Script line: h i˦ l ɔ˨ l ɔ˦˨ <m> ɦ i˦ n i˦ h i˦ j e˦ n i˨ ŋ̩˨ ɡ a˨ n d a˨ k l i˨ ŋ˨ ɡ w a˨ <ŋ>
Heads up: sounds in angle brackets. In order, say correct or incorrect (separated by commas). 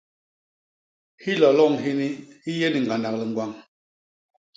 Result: incorrect, correct